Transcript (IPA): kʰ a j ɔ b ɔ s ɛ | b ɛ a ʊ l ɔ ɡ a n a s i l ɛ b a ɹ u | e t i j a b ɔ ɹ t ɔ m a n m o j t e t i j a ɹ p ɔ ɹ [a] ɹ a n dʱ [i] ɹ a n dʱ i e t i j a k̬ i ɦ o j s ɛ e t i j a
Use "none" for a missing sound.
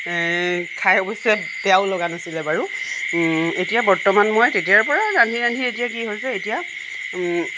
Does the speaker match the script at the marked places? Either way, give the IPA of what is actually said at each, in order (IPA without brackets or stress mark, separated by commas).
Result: a, i